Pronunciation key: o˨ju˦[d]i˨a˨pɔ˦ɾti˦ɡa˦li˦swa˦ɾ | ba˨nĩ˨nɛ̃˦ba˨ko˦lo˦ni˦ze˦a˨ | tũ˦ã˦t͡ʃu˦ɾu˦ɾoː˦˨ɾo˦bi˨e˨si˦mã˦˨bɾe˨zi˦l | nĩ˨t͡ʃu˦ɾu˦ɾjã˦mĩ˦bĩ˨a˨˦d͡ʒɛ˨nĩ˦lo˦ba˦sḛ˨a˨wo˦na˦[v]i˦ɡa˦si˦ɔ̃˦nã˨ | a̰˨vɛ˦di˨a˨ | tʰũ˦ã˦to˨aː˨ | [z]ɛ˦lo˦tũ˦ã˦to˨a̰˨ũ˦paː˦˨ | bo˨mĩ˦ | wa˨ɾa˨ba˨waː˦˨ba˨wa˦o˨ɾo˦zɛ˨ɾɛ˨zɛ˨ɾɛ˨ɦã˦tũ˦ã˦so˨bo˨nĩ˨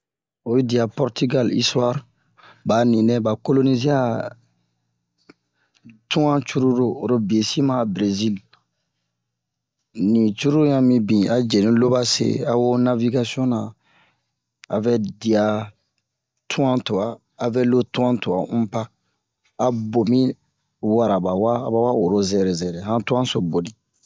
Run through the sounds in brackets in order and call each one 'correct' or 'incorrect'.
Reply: correct, correct, incorrect

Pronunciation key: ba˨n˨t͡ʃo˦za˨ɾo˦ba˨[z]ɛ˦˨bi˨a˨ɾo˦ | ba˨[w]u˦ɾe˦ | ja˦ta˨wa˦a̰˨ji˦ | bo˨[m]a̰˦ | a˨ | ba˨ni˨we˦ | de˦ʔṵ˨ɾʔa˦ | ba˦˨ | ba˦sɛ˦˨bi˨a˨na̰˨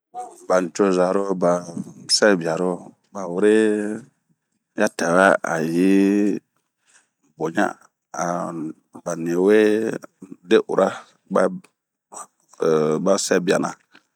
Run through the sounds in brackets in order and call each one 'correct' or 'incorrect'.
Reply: incorrect, correct, incorrect

